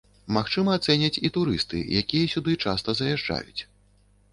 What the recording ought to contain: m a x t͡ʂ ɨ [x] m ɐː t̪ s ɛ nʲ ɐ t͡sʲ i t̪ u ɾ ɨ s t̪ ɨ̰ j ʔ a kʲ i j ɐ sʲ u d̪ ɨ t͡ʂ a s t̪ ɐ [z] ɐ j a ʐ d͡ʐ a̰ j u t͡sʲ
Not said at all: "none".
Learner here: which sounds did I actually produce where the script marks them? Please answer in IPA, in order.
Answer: none, z

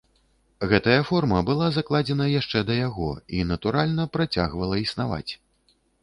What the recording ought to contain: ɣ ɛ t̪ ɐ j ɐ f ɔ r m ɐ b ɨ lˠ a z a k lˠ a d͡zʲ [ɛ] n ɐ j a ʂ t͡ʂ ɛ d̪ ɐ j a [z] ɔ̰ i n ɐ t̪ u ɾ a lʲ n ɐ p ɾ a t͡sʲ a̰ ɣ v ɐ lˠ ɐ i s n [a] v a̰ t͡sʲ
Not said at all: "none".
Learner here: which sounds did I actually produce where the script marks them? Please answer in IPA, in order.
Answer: ɛ, ɣ, a

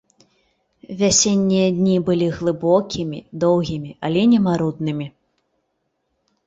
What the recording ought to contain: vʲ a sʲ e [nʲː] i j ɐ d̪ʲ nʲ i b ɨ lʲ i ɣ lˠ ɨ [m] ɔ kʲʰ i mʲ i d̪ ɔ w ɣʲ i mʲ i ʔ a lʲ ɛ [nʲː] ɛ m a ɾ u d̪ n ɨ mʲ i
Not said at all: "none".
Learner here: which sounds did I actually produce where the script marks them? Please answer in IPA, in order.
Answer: nʲː, b, nʲ

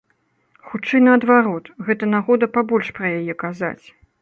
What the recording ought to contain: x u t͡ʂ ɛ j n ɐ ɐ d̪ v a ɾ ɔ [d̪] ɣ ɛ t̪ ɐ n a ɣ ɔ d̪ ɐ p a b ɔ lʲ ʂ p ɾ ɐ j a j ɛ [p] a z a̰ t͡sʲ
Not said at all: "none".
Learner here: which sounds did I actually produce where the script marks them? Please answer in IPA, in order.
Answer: t̪, k

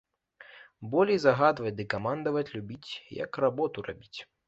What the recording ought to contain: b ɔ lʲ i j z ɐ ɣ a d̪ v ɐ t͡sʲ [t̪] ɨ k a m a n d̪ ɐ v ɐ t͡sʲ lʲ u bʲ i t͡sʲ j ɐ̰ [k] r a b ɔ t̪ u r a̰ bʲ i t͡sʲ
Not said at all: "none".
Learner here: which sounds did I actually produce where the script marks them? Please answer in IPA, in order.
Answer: d̪, k

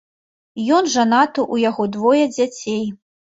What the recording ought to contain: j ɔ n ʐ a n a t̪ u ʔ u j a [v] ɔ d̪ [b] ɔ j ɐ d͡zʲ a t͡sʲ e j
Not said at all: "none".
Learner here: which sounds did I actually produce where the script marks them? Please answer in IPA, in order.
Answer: ɣ, v

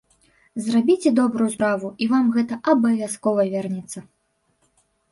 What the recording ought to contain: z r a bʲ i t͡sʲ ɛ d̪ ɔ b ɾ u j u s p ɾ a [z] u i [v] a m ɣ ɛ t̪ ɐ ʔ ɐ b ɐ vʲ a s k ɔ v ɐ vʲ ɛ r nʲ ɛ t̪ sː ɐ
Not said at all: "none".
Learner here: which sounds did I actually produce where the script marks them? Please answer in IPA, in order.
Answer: v, v

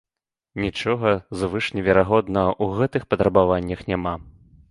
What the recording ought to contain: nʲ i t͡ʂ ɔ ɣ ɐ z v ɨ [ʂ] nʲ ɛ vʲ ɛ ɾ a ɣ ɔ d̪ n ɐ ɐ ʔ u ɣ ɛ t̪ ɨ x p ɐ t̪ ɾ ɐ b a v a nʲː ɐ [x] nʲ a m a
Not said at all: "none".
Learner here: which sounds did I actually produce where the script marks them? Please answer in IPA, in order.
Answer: ʂ, x

